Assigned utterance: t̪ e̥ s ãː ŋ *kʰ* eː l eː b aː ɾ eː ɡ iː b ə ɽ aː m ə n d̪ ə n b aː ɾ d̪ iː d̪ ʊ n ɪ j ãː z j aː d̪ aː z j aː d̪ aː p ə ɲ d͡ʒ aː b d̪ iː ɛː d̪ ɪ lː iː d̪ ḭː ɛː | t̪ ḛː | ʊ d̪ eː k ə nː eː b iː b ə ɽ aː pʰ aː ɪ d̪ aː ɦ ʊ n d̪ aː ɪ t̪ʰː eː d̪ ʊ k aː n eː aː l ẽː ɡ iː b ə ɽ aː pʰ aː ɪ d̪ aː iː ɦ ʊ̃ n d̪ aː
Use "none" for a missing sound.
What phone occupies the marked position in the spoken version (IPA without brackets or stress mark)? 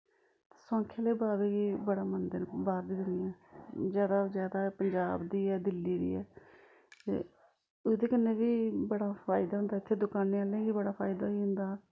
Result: kʰ